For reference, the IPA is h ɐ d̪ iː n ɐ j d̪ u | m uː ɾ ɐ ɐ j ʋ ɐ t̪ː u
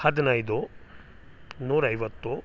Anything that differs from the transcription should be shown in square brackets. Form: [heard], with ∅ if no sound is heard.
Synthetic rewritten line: h ɐ d̪ [i] n ɐ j d̪ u | [n] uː ɾ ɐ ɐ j ʋ ɐ t̪ː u